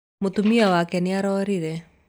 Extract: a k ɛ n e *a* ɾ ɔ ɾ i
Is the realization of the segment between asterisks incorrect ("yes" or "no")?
no